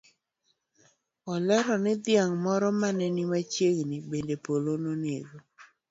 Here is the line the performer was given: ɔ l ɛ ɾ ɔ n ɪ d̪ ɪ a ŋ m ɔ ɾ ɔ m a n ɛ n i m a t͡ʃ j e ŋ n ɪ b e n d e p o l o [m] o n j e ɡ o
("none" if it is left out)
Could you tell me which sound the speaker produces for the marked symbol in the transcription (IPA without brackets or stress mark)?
n